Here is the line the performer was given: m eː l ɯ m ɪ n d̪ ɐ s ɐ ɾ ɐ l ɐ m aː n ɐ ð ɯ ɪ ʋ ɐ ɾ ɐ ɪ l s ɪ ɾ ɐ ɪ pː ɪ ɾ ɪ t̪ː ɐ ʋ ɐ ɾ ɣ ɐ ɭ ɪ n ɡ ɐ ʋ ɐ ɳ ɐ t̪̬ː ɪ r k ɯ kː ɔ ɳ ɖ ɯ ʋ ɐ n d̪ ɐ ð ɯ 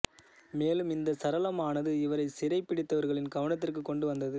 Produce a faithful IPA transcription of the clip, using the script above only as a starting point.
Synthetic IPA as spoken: m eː l ɯ m ɪ n d̪ ɐ s ɐ ɾ ɐ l ɐ m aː n ɐ ð ɯ ɪ ʋ ɐ ɾ ɐ ɪ s ɪ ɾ ɐ ɪ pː ɪ ɽ ɪ t̪ː ɐ ʋ ɐ ɾ ɣ ɐ ɭ ɪ n ɡ ɐ ʋ ɐ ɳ ɐ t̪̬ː ɪ r k ɯ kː ɔ ɳ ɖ ɯ ʋ ɐ n d̪ ɐ ð ɯ